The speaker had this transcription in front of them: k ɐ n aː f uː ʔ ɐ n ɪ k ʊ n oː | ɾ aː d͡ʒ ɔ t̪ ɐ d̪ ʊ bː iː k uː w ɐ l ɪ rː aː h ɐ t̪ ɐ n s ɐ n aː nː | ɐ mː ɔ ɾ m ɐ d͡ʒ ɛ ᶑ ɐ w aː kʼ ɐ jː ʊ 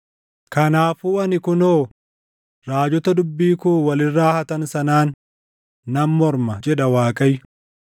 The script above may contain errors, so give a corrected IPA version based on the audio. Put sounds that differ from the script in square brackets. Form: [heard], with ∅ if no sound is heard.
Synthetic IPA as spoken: k ɐ n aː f uː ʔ ɐ n ɪ k ʊ n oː | ɾ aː d͡ʒ ɔ t̪ ɐ d̪ ʊ bː iː k uː w ɐ l ɪ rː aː h ɐ t̪ ɐ n s ɐ n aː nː | ɐ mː ɔ ɾ m ɐ d͡ʒ ɛ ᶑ ɐ w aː kʼ ɐ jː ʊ